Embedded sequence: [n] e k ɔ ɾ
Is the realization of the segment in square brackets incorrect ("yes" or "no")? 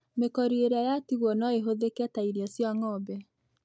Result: yes